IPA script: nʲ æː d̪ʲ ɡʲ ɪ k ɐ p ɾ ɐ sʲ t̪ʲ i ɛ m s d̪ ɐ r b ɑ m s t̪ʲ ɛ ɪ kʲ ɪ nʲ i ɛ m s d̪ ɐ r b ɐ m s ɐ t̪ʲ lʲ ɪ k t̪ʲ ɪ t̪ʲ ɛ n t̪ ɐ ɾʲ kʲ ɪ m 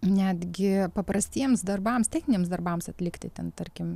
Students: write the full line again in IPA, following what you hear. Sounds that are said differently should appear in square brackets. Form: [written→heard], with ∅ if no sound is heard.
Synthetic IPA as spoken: nʲ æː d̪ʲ ɡʲ ɪ [k→p] ɐ p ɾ ɐ sʲ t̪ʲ i ɛ m s d̪ ɐ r b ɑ m s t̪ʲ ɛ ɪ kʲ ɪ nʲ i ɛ m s d̪ ɐ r b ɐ m s ɐ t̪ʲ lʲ ɪ k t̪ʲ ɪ t̪ʲ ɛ n t̪ ɐ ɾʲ kʲ ɪ m